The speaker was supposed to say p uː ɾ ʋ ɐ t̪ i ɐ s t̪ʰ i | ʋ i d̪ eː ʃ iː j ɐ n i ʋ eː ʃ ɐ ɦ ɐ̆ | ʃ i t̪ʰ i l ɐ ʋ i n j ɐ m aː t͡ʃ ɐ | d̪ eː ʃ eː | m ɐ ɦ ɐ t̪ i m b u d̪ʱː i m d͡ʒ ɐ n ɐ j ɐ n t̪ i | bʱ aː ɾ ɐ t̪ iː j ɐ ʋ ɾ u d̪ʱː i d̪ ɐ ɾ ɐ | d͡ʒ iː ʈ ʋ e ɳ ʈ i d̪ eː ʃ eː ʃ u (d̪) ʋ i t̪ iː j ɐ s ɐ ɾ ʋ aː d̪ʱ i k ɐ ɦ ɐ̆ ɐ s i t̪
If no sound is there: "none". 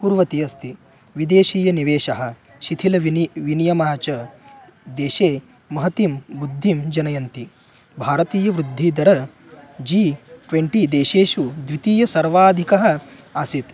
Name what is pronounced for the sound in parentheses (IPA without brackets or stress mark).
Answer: d̪